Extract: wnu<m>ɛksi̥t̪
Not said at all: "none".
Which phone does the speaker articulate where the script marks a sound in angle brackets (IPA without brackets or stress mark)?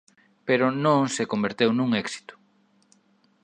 ŋ